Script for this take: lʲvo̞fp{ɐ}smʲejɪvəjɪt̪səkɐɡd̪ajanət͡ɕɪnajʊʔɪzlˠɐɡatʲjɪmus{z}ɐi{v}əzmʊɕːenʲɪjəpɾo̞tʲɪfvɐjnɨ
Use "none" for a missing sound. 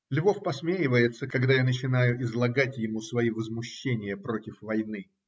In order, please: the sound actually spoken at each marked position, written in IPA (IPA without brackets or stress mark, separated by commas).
ɐ, v, v